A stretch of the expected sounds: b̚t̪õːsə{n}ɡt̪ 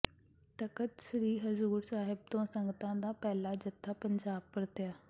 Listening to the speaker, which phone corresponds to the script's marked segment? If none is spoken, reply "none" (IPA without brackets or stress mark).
ŋ